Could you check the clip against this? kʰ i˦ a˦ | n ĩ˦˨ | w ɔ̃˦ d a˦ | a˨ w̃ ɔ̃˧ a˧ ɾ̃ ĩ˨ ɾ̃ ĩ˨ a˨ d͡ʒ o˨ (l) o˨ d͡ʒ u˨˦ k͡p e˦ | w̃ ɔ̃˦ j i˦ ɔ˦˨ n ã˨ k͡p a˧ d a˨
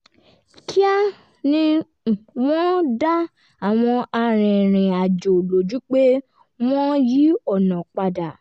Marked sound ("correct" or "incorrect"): correct